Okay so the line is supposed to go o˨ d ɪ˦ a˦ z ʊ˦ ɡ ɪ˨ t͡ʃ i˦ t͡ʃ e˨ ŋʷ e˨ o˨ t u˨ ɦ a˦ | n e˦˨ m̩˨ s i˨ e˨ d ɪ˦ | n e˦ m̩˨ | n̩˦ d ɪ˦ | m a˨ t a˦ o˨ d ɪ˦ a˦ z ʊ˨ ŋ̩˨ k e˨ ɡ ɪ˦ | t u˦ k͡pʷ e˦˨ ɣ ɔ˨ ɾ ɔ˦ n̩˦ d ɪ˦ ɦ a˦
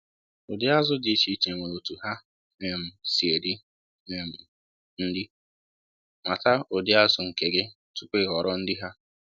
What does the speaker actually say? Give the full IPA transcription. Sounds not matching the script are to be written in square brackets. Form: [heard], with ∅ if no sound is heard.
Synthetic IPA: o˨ d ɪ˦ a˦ z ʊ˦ [d] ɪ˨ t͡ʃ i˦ t͡ʃ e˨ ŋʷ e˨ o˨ t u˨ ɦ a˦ | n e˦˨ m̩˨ s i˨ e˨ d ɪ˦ | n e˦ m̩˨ | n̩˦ d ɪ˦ | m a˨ t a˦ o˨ d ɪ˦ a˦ z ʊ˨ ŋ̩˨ k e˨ ɡ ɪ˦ | t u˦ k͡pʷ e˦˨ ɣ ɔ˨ ɾ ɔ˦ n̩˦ d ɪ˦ ɦ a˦

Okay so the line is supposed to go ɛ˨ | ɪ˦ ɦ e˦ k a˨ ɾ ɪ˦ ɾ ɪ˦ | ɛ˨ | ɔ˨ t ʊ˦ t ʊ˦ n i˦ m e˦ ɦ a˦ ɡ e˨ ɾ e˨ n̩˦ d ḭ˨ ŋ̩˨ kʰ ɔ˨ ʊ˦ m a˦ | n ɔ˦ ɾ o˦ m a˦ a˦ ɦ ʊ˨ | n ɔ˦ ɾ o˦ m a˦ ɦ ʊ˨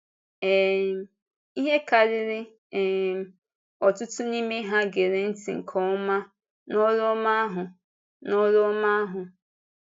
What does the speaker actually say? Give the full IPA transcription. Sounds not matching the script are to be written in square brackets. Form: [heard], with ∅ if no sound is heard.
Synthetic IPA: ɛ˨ | [i˦] ɦ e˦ k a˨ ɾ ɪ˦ ɾ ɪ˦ | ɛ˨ | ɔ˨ t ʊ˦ t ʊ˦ n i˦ m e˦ ɦ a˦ ɡ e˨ ɾ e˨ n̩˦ [t] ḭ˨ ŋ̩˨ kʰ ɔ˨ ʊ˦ m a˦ | n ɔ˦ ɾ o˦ m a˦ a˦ ɦ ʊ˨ | n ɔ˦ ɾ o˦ m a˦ ɦ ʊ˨

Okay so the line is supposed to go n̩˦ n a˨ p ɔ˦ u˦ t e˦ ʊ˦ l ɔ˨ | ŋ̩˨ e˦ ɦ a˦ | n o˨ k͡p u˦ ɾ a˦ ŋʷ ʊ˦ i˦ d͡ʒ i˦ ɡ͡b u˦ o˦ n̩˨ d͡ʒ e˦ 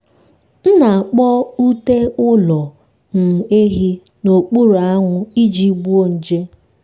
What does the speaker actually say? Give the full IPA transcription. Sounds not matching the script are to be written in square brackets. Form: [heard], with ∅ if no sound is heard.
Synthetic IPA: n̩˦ n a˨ [k͡p] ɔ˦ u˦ t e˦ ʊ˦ l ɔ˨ | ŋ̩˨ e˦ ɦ [i˦] | n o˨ k͡p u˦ ɾ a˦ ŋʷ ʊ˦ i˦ d͡ʒ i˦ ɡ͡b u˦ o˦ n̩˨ d͡ʒ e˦

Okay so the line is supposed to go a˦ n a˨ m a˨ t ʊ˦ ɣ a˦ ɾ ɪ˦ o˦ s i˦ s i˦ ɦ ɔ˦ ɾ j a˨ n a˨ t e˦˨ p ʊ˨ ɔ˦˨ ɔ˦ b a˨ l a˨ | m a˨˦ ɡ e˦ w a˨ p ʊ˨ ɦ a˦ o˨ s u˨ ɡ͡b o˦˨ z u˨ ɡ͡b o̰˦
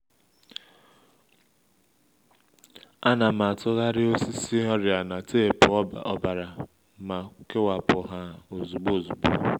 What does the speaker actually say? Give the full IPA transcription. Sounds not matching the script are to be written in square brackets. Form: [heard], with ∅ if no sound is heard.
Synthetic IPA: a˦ n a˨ m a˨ t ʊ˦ ɣ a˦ ɾ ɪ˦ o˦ s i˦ s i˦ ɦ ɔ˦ ɾ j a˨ n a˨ t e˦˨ p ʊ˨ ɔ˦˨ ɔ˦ b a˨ [ɾ] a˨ | m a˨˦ [k] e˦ w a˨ p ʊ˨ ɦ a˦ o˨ [z] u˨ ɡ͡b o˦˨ z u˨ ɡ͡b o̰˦

